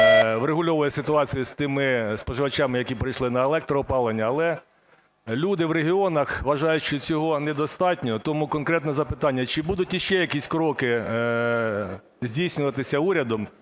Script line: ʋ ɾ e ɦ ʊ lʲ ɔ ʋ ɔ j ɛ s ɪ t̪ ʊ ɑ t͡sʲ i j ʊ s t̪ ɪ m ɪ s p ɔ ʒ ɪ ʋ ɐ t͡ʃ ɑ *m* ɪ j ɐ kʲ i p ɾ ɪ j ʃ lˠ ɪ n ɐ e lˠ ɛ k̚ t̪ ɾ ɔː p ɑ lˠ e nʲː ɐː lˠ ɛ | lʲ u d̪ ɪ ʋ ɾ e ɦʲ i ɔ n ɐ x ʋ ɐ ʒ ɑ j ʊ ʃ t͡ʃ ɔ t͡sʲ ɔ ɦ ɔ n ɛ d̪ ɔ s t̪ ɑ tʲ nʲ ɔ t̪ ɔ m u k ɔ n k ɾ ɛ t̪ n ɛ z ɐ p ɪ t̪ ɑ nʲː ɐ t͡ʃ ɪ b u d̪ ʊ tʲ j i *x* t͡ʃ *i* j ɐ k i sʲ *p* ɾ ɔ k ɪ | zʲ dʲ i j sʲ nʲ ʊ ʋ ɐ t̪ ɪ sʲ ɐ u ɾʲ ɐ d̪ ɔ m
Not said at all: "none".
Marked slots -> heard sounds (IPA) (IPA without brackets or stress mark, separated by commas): m, ʃ, ɛ, k